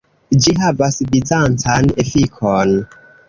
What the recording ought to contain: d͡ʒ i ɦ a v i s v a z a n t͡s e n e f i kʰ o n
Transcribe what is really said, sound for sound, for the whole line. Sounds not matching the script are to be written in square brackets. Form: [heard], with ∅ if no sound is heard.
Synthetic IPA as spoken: d͡ʒ i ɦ a v [a] s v [i] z a n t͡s [a] n e f i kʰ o n